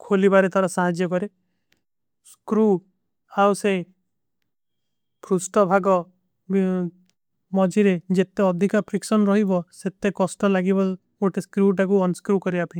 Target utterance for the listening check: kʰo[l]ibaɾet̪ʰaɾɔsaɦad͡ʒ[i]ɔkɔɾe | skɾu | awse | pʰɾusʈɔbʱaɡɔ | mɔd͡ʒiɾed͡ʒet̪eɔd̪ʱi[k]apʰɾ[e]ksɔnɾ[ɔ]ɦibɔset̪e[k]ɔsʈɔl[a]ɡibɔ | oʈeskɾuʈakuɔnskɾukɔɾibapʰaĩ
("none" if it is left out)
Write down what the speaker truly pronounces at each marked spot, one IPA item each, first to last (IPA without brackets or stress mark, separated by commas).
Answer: l, j, k, i, ɔ, k, a